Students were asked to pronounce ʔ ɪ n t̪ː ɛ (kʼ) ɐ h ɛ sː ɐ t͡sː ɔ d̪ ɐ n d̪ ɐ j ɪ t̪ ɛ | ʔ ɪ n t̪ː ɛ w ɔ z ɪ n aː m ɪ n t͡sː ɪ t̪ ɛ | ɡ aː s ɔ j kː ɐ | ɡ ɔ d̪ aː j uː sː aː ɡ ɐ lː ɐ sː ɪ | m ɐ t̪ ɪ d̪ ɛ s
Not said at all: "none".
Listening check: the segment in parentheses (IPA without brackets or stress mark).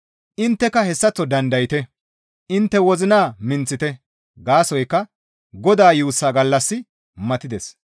k